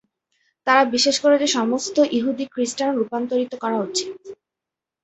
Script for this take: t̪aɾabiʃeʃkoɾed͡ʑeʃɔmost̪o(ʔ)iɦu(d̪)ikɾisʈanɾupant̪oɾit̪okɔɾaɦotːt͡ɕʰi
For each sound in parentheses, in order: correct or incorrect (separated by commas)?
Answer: correct, correct